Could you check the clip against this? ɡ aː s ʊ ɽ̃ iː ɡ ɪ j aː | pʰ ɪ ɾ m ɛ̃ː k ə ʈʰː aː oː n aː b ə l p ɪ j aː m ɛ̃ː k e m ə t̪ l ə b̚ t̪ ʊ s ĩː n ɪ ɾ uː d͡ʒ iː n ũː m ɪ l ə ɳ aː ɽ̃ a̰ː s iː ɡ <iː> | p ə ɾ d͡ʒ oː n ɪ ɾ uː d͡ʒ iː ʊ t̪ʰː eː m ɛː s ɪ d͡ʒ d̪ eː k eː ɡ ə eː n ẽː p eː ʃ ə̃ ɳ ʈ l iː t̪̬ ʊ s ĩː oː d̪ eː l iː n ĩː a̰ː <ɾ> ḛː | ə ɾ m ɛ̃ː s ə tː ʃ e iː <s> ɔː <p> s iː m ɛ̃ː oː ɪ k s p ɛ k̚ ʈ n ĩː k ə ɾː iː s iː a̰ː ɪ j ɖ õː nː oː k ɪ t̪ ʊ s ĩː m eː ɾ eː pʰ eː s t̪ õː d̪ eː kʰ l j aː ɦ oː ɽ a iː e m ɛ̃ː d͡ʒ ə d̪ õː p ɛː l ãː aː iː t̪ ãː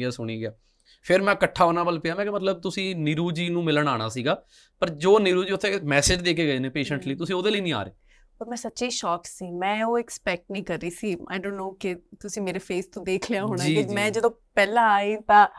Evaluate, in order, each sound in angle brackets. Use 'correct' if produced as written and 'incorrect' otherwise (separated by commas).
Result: incorrect, correct, incorrect, incorrect